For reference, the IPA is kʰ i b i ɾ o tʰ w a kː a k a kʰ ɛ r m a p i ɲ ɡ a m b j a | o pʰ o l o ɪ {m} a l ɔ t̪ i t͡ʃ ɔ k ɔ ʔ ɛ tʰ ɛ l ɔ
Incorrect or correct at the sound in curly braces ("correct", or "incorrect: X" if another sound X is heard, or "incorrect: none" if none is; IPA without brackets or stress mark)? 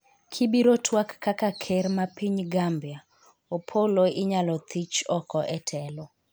incorrect: ɲ